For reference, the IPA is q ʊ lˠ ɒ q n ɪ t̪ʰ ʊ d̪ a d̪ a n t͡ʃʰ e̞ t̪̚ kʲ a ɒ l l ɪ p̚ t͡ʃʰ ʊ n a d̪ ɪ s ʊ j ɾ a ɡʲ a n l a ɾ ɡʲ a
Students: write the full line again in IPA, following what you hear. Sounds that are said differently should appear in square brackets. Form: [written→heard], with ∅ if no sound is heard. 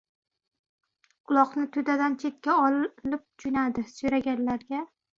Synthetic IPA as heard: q ʊ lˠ ɒ q n ɪ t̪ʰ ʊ d̪ a d̪ a n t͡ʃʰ e̞ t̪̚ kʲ a ɒ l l ɪ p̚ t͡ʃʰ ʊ n a d̪ ɪ s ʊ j ɾ a ɡʲ a n l a ɾ ɡʲ a